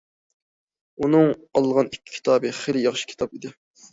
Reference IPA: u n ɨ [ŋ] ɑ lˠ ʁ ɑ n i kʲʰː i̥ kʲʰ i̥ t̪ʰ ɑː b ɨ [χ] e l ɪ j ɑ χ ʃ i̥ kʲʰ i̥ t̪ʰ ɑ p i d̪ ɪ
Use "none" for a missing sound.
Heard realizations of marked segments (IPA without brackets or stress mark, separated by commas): ŋ, χ